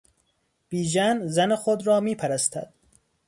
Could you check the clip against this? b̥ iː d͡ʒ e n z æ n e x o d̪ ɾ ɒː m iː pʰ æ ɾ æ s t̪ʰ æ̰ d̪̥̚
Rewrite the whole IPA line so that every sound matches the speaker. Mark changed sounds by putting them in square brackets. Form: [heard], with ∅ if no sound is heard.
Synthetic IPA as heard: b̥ iː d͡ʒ [æ] n z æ n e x o d̪ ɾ ɒː m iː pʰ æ ɾ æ s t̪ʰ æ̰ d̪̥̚